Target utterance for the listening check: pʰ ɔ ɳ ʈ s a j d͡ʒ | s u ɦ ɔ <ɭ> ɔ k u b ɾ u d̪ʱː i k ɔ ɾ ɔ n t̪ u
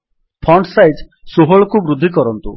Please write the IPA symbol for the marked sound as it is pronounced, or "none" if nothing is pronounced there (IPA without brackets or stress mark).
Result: ɭ